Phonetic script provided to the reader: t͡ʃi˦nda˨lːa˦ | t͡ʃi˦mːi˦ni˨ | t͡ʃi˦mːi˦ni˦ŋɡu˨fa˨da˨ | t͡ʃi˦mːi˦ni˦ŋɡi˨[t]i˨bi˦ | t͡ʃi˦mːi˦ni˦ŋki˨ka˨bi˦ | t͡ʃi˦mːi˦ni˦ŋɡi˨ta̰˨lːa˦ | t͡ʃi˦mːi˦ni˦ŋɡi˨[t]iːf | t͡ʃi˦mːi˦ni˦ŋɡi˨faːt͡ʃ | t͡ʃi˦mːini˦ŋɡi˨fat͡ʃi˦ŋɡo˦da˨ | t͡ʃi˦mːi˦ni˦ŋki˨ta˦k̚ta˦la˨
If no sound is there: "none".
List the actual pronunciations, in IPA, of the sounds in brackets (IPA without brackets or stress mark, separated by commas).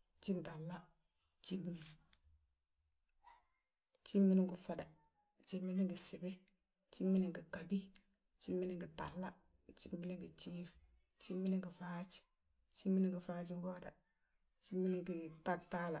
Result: s, t͡ʃ